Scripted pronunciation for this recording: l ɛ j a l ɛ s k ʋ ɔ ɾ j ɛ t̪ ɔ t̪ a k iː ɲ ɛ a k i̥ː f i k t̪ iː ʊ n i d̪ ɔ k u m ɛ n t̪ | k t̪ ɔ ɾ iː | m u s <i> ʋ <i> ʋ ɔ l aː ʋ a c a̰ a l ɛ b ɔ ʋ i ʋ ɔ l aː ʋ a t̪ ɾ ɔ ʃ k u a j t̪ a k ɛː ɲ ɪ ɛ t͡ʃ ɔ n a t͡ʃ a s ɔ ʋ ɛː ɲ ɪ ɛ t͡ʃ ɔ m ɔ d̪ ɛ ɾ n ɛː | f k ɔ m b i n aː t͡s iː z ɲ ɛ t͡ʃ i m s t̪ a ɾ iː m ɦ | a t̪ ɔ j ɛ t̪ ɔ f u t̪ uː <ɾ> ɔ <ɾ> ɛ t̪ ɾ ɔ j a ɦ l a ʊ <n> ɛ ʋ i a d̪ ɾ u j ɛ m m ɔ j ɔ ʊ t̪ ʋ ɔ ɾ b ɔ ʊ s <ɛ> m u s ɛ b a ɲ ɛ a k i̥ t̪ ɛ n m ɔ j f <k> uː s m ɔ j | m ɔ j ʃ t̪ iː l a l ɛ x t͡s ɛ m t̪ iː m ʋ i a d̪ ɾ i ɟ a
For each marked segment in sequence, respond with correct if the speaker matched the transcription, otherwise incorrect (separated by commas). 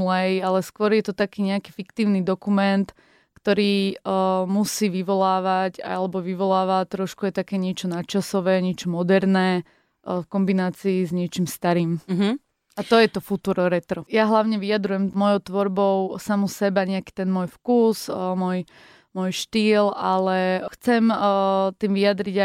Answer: incorrect, correct, correct, correct, incorrect, incorrect, correct